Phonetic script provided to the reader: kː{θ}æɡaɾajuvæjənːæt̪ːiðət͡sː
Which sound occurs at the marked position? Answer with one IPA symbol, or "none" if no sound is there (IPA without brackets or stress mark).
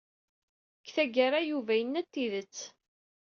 θ